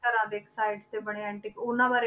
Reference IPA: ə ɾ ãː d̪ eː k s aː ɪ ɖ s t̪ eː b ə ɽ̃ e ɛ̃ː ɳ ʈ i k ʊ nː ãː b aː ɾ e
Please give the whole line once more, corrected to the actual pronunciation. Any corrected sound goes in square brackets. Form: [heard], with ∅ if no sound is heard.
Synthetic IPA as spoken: ə ɾ ãː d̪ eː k s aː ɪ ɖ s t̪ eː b ə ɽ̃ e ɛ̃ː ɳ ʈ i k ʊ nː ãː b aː ɾ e